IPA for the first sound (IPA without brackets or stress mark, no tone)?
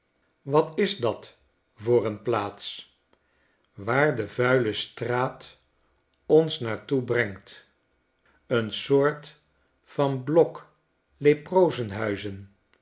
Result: ʋ